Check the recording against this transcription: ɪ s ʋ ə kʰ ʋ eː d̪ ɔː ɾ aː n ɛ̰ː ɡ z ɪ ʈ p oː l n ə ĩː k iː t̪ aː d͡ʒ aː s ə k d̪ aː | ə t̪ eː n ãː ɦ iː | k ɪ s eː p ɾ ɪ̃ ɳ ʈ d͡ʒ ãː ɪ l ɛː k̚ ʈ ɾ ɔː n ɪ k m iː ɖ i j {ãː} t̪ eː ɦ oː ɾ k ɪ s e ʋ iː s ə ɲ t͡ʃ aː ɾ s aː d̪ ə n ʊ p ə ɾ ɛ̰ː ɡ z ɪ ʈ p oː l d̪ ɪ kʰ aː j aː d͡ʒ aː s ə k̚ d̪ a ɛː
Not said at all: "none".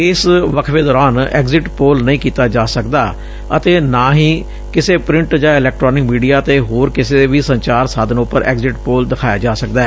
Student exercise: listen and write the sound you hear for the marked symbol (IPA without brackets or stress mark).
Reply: aː